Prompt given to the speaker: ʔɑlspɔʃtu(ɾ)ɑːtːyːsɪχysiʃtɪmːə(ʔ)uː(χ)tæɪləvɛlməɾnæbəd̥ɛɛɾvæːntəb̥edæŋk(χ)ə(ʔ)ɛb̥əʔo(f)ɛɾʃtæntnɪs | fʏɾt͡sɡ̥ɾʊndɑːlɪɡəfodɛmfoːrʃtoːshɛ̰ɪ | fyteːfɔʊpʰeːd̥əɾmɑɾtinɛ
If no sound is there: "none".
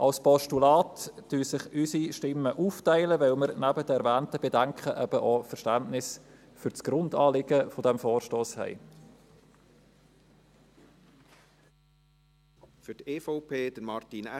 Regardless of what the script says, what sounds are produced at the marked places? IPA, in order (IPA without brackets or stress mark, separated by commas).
l, ʔ, f, χ, ʔ, f